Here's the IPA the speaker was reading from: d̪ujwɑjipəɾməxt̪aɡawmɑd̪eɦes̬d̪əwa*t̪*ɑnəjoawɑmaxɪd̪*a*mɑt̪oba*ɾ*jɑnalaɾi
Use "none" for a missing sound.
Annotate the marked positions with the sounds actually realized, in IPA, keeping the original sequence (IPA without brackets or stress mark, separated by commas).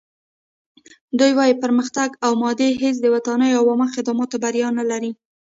t̪, ɑ, ɾ